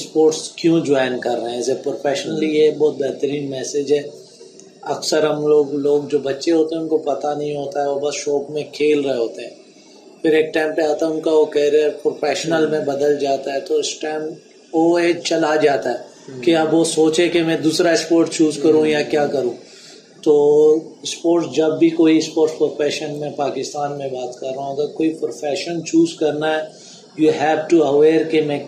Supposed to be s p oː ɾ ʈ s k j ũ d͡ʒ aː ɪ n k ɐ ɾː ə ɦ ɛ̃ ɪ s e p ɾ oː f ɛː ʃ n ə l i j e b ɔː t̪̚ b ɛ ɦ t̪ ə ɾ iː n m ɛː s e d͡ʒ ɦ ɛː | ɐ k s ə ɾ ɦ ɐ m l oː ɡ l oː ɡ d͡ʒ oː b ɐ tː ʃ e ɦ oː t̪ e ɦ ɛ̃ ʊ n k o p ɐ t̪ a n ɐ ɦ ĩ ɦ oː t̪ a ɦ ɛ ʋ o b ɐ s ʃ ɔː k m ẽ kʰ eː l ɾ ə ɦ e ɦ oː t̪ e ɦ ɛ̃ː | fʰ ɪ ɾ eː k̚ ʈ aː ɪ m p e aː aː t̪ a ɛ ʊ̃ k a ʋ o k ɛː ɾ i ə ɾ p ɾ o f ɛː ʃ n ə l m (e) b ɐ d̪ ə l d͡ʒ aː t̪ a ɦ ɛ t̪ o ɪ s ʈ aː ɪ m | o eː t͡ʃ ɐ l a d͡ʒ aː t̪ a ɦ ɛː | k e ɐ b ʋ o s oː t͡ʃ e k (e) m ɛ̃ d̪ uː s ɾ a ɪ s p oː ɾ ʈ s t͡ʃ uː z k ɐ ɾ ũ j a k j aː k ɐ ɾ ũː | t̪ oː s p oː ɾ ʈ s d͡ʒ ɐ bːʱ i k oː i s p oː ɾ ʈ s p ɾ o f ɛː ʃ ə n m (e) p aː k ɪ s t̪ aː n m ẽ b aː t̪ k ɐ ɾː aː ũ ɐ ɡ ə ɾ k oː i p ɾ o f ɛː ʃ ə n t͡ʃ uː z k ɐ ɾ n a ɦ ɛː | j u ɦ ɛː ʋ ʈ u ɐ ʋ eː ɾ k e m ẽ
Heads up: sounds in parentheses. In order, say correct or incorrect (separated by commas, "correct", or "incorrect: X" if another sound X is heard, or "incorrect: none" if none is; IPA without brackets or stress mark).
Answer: incorrect: ẽ, correct, incorrect: ẽ